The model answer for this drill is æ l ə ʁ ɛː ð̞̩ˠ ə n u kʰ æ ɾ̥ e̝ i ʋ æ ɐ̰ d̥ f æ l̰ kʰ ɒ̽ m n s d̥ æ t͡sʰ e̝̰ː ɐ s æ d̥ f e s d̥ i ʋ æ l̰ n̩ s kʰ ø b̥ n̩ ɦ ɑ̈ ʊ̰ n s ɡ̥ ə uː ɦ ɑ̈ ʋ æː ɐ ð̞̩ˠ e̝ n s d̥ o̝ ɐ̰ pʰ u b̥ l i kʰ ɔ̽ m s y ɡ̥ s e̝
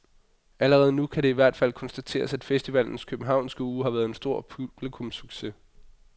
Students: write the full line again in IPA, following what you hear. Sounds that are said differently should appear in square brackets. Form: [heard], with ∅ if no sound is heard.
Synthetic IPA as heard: æ l ə ʁ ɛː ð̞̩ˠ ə n u kʰ æ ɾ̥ e̝ i ʋ æ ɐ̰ d̥ f æ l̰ kʰ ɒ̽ [∅] n s d̥ æ t͡sʰ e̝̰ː ɐ s æ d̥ f e s d̥ i ʋ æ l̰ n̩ s kʰ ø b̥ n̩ ɦ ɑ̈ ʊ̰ n s ɡ̥ ə uː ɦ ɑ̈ ʋ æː ɐ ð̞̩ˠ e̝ n s d̥ o̝ ɐ̰ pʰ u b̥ l i kʰ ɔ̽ m s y ɡ̥ s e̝

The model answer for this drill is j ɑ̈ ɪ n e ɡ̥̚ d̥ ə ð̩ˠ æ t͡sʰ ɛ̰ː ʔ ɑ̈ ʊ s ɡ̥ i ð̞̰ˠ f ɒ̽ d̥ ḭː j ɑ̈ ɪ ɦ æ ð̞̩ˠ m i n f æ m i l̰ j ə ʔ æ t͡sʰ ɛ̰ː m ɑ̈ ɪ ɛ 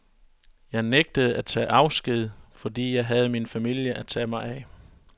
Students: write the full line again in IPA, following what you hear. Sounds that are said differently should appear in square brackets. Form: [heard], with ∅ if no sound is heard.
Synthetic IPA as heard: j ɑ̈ ɪ n e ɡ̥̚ d̥ ə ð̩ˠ æ t͡sʰ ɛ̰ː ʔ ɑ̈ ʊ s ɡ̥ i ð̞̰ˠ f ɒ̽ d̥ ḭː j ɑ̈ ɪ ɦ æ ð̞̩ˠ m i n f æ m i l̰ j ə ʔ æ t͡sʰ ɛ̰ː m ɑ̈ ɪ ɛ

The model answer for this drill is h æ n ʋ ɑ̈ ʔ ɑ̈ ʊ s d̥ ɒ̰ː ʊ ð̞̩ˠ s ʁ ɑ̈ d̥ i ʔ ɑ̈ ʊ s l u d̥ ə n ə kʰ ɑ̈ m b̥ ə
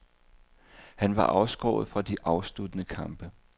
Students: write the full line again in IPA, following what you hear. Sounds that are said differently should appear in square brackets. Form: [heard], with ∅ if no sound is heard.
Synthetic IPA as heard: h æ n ʋ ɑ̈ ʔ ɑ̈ ʊ s [ɡ̥] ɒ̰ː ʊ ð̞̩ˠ [f] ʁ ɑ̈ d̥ i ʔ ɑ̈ ʊ s l u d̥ ə n ə kʰ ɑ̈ m b̥ ə

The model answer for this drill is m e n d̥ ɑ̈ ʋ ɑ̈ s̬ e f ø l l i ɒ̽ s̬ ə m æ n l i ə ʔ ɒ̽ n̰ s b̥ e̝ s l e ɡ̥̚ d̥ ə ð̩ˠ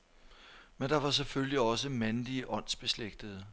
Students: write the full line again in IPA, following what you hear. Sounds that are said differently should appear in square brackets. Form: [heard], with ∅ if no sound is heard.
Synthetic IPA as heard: m e n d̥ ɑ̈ ʋ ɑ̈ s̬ e f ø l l i ɒ̽ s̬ ə m æ n l i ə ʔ ɒ̽ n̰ s b̥ e̝ s l e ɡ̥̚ d̥ ə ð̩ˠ

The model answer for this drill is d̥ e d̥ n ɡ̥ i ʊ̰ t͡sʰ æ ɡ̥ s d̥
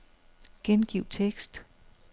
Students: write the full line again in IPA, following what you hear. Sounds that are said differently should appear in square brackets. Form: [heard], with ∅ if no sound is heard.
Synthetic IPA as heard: [ɡ̥] e [∅] n ɡ̥ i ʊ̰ t͡sʰ [e] ɡ̥ s d̥

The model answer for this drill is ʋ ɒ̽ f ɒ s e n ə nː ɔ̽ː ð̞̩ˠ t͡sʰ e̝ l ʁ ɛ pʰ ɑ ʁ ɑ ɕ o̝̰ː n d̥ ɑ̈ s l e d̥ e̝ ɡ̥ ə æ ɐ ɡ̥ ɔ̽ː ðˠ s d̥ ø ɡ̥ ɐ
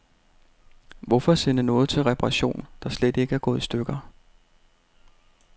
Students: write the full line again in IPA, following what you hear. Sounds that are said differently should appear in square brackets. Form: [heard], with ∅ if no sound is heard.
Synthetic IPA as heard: ʋ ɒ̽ f ɒ s e n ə [n] ɔ̽ː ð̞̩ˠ t͡sʰ e̝ l ʁ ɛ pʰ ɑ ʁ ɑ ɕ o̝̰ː n d̥ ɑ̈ s l e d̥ e̝ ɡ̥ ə æ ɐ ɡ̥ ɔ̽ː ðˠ s d̥ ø ɡ̥ ɐ

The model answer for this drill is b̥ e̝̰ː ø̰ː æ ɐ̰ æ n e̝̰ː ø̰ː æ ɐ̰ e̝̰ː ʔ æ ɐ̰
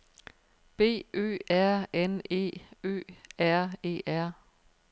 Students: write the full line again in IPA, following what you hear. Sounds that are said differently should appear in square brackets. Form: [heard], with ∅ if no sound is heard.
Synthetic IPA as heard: b̥ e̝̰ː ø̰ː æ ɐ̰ [e] n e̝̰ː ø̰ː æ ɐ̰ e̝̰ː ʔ æ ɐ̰

